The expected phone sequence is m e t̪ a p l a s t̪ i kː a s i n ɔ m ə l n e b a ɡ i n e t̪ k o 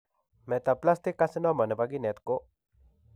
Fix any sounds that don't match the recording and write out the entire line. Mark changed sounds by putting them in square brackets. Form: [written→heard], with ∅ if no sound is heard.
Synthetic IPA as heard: m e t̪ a p l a s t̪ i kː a s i n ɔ m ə [l→∅] n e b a ɡ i n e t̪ k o